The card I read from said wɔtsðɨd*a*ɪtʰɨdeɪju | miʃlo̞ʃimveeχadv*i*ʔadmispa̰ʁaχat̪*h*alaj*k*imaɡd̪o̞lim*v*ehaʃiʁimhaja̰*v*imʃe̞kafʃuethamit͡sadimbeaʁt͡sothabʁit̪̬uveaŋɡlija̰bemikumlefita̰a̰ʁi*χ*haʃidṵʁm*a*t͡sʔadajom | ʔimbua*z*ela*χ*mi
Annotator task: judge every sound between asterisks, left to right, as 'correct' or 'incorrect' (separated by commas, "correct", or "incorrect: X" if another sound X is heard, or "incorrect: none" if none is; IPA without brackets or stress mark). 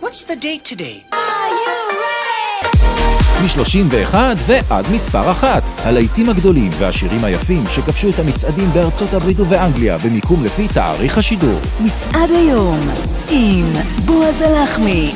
incorrect: e, incorrect: e, correct, incorrect: t, correct, incorrect: f, correct, incorrect: i, correct, correct